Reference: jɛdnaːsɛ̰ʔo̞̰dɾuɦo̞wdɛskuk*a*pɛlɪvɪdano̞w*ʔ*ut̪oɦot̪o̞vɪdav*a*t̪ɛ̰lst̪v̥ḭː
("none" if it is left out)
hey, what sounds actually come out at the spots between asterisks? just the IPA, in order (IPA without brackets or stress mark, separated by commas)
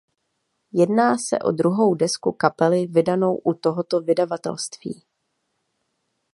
a, ʔ, a